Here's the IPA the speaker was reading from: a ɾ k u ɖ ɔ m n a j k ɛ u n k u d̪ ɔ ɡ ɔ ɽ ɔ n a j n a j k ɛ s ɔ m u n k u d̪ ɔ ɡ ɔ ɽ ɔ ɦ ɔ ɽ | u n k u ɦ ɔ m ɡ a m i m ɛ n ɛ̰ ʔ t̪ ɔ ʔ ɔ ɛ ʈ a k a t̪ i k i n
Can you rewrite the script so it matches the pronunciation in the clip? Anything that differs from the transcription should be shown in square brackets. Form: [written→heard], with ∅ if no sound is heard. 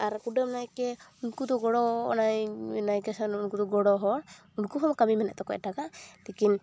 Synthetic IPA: a ɾ k u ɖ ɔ m n a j k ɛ u n k u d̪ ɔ ɡ ɔ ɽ ɔ n a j n a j k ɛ s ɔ [m→n] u n k u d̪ ɔ ɡ ɔ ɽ ɔ ɦ ɔ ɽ | u n k u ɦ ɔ m [ɡ→k] a m i m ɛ n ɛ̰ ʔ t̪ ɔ [ʔ→k] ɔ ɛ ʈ a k a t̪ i k i n